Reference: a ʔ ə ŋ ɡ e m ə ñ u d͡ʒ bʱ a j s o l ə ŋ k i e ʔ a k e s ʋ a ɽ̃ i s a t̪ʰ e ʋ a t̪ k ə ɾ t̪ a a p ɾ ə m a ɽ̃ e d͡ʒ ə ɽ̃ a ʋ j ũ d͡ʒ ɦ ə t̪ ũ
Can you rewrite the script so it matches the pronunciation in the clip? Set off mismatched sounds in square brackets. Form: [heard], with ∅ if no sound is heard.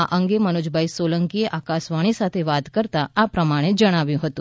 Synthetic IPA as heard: a ʔ ə ŋ ɡ e m ə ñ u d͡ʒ bʱ a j s o l ə ŋ k i e ʔ a k [a] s ʋ a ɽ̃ i s a t̪ʰ e ʋ a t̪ k ə ɾ t̪ a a p ɾ ə m a ɽ̃ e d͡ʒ ə ɽ̃ a ʋ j ũ [∅] ɦ ə t̪ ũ